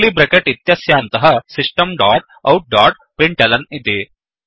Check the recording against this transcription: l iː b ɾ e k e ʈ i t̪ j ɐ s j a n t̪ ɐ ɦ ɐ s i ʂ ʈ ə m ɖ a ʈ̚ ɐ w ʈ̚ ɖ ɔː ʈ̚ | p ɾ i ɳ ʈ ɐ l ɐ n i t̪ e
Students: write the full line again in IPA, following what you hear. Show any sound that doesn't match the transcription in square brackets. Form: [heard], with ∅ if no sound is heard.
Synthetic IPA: l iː b ɾ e k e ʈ i t̪ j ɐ s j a n t̪ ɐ ɦ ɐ s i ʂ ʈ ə m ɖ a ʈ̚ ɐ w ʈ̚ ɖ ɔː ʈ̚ | p ɾ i ɳ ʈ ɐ l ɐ n i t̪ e